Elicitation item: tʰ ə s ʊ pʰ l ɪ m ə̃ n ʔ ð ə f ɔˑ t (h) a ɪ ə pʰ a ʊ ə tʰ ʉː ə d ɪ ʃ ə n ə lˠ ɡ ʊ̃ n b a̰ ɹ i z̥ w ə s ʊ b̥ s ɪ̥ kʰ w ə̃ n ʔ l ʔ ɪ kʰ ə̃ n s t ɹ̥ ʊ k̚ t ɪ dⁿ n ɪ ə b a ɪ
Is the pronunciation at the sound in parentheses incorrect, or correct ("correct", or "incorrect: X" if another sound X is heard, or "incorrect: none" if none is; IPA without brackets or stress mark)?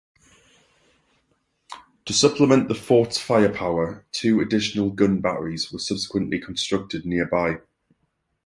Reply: incorrect: f